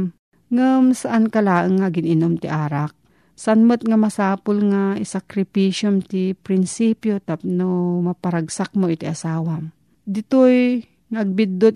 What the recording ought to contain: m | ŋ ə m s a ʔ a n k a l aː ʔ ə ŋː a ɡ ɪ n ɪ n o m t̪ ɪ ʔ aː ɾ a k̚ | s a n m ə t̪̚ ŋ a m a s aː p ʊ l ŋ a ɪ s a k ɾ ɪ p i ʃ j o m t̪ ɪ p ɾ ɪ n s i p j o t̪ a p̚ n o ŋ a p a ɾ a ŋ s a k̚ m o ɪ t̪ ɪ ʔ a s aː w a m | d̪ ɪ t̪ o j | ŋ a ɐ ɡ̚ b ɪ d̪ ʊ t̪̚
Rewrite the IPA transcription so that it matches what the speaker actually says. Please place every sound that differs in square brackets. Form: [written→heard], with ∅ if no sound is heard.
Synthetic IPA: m | ŋ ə m s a ʔ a n k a l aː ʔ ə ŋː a ɡ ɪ n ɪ n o m t̪ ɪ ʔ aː ɾ a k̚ | s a n m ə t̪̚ ŋ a m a s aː p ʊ l ŋ a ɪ s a k ɾ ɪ p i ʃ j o m t̪ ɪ p ɾ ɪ n s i p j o t̪ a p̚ n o [ŋ→m] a p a ɾ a [ŋ→ɡ] s a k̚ m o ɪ t̪ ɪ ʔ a s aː w a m | d̪ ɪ t̪ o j | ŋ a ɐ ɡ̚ b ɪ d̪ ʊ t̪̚